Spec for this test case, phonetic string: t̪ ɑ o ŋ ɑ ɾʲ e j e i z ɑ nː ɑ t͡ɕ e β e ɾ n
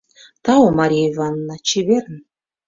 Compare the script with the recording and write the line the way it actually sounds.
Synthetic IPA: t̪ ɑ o m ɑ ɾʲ i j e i v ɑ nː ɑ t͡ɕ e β e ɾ n